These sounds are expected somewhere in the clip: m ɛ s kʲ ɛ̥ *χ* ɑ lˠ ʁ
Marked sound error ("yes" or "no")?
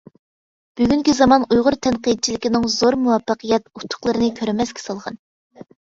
yes